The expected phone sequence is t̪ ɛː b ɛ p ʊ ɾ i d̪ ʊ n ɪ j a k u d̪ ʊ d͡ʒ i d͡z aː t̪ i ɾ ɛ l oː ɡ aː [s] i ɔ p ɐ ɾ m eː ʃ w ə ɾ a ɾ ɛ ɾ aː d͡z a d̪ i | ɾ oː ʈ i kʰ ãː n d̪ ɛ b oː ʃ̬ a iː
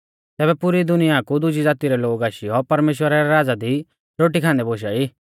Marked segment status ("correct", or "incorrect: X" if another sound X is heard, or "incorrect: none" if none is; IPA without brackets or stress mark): incorrect: ʃ